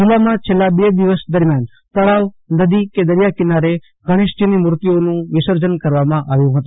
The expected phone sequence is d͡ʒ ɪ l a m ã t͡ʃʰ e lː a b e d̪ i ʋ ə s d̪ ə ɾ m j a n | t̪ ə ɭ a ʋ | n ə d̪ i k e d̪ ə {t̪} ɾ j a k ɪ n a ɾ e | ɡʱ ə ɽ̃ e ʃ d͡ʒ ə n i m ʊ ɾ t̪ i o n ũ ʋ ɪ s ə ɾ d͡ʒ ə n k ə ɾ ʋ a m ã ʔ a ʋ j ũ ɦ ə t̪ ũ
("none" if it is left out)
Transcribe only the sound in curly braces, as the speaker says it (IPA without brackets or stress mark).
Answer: none